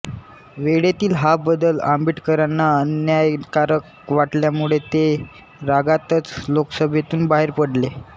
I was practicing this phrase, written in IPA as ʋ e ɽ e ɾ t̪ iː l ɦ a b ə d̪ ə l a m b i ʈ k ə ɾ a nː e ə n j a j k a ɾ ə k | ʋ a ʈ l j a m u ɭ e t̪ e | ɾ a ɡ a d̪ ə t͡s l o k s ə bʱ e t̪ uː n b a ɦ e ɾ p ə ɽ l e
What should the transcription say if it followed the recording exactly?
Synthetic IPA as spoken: ʋ e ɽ e t̪ iː l ɦ a b ə d̪ ə l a m b i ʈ k ə ɾ a nː a ə n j a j k a ɾ ə k | ʋ a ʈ l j a m u ɭ e t̪ e | ɾ a ɡ a t̪ ə t͡s l o k s ə bʱ e t̪ uː n b a ɦ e ɾ p ə ɽ l e